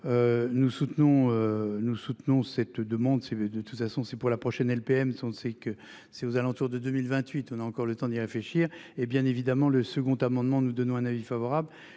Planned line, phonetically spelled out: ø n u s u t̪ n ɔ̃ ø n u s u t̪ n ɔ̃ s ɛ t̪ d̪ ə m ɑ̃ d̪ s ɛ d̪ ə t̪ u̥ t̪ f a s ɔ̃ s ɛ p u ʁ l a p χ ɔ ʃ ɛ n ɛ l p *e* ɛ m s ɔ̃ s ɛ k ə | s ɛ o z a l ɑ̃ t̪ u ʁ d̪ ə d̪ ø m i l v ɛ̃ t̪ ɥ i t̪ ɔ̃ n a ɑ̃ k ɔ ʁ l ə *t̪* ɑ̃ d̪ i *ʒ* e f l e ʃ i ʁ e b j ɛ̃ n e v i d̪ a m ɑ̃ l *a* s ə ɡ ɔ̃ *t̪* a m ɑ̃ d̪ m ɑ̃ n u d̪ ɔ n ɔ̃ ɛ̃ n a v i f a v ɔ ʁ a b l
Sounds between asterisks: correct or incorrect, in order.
correct, correct, incorrect: ʁ, incorrect: ə, correct

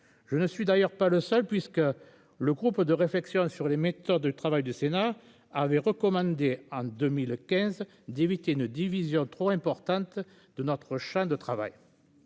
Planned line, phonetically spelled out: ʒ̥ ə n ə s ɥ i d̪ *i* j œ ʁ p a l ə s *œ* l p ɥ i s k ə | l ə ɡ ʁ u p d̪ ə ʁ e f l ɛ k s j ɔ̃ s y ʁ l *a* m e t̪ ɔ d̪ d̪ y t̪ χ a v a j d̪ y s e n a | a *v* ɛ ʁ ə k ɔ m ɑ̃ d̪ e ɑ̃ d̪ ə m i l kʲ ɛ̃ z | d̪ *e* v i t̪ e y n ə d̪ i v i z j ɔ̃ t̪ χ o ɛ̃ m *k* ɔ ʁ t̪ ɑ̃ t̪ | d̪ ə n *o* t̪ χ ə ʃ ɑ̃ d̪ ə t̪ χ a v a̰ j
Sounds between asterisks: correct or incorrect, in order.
incorrect: a, correct, incorrect: e, correct, correct, incorrect: p, incorrect: ɔ

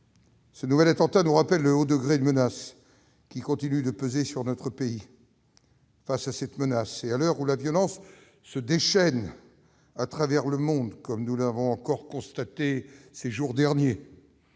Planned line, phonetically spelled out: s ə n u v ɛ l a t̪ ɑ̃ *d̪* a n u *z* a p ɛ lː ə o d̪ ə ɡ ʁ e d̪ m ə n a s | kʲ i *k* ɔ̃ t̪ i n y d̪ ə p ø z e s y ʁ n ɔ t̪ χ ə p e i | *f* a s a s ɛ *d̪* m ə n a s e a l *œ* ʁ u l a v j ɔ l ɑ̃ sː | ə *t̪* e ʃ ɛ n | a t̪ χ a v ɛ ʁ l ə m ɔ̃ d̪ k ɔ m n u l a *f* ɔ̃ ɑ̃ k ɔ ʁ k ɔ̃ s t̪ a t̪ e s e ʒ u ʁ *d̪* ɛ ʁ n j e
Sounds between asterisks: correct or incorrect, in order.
incorrect: t̪, incorrect: ʁ, correct, correct, incorrect: t̪, correct, incorrect: d̪, incorrect: v, correct

